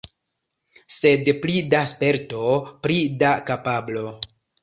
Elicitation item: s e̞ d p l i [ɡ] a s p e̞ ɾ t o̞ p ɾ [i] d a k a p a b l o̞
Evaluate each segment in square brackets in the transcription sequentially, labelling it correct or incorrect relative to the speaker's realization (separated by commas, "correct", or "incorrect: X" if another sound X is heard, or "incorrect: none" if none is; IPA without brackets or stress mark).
incorrect: d, correct